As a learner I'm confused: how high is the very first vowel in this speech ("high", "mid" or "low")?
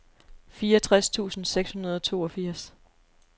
high